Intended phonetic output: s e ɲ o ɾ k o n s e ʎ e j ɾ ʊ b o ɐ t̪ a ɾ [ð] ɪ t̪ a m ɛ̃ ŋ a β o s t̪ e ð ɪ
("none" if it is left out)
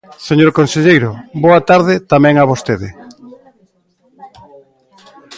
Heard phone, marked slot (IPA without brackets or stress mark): ð